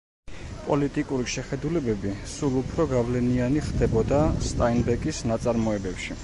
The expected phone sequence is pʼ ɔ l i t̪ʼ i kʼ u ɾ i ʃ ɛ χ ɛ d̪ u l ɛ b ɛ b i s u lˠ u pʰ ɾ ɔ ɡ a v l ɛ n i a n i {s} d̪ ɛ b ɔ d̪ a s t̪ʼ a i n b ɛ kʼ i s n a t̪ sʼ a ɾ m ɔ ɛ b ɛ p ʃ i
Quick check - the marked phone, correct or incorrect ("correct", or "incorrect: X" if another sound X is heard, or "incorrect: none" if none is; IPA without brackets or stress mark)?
incorrect: χ